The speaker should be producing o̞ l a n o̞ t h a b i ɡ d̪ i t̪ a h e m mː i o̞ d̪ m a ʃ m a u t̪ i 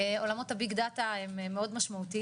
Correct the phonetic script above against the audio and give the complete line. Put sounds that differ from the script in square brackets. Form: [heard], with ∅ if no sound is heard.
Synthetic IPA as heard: o̞ l a [m] o̞ t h a b i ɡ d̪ [a] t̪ a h e m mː [e] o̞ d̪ m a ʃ m a u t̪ i